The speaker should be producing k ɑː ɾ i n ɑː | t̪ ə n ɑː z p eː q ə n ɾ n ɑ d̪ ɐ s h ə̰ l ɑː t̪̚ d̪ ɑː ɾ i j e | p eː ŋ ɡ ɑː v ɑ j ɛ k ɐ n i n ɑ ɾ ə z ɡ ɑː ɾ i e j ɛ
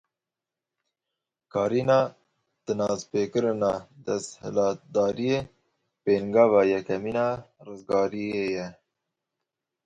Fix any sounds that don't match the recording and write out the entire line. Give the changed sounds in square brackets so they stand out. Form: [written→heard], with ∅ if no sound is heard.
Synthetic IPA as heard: k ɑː ɾ i n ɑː | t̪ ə n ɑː z p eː [q→k] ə [n→∅] ɾ n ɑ d̪ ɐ s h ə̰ l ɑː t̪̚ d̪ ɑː ɾ i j e | p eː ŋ ɡ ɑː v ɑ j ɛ k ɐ [n→m] i n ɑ ɾ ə z ɡ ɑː ɾ i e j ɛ